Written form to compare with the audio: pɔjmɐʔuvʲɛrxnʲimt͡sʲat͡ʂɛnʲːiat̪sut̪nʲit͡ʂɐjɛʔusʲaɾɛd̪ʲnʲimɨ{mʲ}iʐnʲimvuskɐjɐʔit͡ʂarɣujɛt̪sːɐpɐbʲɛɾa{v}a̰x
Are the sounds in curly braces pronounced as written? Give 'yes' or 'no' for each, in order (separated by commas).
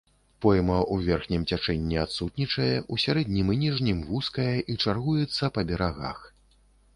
no, no